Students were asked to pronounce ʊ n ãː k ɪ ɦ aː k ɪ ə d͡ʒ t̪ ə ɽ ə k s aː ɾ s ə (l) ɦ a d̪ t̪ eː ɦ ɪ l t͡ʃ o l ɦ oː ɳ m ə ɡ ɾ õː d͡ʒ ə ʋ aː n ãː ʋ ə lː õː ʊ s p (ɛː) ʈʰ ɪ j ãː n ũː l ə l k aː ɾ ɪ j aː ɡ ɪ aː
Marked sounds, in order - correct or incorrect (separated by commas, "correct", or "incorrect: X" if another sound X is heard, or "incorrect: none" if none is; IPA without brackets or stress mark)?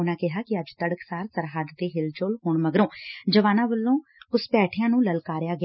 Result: incorrect: ɾ, correct